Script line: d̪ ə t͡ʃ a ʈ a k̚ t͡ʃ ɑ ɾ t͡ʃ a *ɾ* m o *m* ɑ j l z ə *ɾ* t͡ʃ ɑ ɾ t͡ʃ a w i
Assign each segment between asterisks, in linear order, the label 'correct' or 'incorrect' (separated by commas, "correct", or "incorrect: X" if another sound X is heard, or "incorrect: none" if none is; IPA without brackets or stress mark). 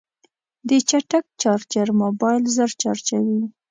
correct, incorrect: b, correct